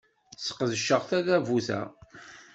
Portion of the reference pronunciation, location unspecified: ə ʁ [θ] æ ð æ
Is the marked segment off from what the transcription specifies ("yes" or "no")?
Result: no